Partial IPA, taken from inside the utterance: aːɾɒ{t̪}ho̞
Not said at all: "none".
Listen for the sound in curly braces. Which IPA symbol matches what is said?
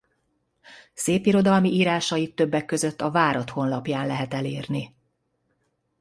t̪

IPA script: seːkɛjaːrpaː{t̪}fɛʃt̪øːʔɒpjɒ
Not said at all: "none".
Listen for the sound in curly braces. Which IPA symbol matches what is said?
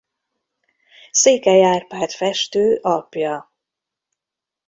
t̪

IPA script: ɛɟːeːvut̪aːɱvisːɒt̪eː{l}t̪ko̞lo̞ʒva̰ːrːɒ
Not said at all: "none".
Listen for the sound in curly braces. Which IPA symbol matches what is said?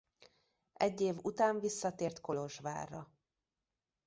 r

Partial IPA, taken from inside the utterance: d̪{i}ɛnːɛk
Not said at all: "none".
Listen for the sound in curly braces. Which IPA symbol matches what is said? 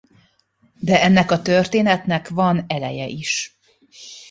ɛ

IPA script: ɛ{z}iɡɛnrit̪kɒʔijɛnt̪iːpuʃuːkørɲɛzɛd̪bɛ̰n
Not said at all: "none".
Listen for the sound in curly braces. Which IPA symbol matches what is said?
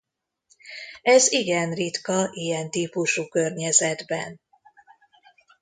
z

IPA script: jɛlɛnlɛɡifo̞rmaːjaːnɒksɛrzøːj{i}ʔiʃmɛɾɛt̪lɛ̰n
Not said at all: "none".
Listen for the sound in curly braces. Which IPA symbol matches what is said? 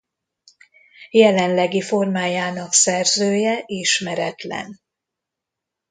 ɛ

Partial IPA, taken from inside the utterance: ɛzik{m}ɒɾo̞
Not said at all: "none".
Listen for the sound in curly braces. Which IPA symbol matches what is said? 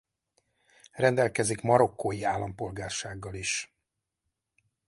m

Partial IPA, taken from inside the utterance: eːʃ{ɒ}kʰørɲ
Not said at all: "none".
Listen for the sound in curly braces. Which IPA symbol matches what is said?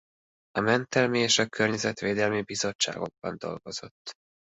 ɒ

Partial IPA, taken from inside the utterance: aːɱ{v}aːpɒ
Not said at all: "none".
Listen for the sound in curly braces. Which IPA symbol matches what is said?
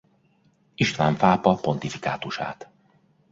f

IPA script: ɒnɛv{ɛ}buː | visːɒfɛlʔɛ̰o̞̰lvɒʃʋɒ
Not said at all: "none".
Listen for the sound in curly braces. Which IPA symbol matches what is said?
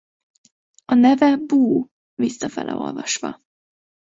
ɛ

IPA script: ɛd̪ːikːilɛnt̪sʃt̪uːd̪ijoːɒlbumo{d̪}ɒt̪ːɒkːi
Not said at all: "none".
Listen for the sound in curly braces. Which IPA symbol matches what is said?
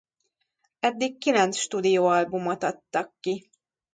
t̪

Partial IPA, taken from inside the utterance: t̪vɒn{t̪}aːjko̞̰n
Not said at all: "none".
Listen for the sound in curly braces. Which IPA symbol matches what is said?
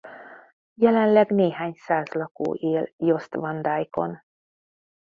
d̪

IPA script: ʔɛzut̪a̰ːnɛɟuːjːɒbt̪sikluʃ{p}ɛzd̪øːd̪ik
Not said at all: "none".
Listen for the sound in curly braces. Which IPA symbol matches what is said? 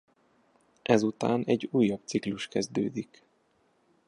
k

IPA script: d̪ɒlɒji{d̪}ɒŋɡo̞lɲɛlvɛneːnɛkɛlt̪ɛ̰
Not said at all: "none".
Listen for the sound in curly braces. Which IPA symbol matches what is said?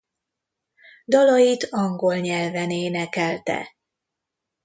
t̪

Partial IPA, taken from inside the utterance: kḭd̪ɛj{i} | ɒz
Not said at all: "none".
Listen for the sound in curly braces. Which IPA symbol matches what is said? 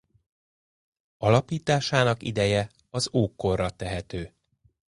ɛ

